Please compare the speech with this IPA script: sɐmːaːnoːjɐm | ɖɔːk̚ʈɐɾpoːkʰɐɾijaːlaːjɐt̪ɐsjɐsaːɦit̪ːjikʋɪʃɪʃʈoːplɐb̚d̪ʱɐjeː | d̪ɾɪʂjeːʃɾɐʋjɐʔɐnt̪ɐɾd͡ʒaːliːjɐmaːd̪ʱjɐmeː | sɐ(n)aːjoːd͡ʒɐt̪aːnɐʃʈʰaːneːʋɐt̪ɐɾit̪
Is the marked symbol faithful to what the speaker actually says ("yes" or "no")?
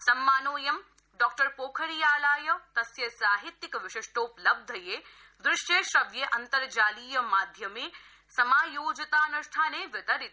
no